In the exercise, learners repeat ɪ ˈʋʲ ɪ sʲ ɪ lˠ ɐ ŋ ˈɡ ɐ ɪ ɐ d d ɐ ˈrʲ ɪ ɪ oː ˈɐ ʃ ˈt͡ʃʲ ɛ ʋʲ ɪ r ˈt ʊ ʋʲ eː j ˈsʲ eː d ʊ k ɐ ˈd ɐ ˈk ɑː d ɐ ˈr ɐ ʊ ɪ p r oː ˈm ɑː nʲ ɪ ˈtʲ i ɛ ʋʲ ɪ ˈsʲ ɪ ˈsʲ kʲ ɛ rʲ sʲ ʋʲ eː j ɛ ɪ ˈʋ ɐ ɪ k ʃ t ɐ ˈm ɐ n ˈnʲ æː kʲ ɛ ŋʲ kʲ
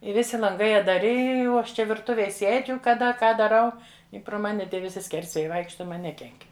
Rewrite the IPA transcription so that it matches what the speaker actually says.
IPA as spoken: ɪ ˈʋʲ ɪ sʲ ɪ lˠ ɐ ŋ ˈɡ ɐ ɪ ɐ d d ɐ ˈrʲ ɪ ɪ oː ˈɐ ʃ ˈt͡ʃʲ ɛ ʋʲ ɪ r ˈt ʊ ʋʲ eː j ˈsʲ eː d͡ʒʲ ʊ k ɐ ˈd ɐ ˈk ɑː d ɐ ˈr ɐ ʊ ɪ p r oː ˈm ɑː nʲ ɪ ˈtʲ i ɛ ʋʲ ɪ ˈsʲ ɪ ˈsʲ kʲ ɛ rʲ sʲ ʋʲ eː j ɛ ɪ ˈʋ ɐ ɪ k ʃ t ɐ ˈm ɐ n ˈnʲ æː kʲ ɛ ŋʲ kʲ